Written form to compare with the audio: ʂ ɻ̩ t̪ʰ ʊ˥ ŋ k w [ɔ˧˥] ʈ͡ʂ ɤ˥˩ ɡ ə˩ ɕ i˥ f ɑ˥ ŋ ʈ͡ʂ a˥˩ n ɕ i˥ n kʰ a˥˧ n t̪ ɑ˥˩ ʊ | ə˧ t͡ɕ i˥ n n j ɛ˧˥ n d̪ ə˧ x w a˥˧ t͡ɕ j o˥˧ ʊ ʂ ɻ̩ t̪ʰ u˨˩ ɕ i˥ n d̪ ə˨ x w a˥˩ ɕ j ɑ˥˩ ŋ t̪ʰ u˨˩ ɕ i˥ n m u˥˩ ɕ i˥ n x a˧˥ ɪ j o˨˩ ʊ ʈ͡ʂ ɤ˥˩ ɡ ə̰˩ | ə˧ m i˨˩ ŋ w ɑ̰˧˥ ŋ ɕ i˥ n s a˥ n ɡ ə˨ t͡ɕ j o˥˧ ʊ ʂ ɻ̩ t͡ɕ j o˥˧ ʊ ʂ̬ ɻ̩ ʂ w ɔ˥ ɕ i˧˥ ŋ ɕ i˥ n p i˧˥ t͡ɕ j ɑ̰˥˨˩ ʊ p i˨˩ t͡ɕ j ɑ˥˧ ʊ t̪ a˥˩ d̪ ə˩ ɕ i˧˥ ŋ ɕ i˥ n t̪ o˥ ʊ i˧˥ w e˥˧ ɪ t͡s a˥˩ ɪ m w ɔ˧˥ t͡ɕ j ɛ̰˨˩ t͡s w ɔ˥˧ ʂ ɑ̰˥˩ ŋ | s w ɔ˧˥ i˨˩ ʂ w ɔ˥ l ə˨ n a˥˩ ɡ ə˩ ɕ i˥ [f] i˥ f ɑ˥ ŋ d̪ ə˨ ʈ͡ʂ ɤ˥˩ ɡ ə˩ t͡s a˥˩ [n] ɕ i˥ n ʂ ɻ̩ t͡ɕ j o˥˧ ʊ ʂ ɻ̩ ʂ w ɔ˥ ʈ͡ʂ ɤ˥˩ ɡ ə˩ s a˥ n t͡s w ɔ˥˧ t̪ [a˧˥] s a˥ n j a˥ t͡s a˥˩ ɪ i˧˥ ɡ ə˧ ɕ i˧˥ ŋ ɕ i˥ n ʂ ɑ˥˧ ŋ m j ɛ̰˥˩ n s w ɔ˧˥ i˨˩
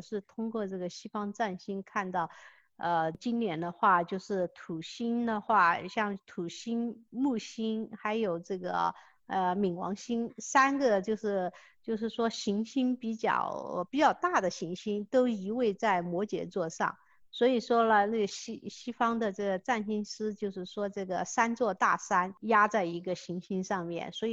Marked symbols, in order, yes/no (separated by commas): no, no, yes, no